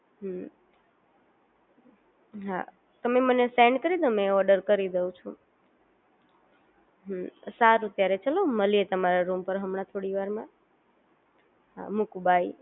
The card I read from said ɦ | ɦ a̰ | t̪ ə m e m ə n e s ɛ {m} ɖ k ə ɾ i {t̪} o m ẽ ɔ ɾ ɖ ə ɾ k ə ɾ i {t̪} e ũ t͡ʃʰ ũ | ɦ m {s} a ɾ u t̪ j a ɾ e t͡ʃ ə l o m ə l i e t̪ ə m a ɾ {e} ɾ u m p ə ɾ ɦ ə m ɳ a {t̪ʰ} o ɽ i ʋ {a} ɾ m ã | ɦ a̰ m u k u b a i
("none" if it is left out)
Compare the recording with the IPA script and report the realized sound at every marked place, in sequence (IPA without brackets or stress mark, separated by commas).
ɳ, d̪, d̪, s, a, t̪ʰ, a